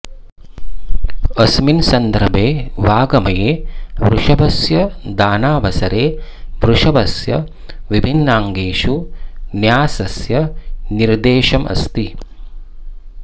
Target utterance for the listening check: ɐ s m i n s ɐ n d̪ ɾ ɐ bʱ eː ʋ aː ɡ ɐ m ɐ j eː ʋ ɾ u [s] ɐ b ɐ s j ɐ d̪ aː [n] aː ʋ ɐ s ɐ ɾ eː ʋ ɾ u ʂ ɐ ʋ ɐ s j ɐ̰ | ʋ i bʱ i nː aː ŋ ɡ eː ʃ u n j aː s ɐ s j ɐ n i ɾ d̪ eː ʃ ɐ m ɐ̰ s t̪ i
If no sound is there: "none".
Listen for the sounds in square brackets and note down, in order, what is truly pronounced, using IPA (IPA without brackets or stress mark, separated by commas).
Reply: ʂ, n